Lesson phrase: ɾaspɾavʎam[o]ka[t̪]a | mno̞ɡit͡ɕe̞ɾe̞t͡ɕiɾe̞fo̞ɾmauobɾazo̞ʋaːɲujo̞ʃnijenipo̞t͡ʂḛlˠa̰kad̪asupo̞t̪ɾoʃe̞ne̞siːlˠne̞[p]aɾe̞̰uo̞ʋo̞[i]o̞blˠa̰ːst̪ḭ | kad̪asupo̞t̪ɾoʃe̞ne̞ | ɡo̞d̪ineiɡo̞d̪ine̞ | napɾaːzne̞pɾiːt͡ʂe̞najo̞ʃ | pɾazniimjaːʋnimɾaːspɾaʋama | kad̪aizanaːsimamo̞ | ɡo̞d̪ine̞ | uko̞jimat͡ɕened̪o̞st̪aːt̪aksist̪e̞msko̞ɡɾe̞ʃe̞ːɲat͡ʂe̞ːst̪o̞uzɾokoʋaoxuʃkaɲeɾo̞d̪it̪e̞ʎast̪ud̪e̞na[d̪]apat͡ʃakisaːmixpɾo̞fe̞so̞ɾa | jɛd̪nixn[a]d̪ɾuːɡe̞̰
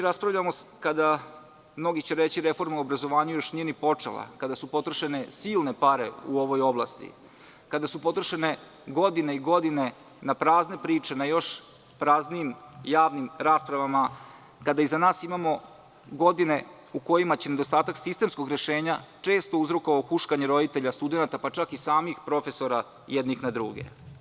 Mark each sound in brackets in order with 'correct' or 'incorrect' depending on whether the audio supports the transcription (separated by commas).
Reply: correct, incorrect, correct, incorrect, incorrect, correct